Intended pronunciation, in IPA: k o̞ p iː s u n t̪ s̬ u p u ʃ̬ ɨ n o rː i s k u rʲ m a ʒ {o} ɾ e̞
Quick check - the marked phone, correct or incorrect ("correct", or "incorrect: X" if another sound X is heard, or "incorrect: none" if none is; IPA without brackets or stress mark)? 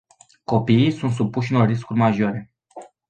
correct